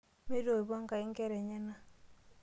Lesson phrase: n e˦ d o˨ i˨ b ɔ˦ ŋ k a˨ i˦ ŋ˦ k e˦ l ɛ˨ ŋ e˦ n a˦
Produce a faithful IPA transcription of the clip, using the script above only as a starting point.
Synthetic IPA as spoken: m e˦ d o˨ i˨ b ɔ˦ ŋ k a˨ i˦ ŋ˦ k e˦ ɾ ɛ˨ ɲ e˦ n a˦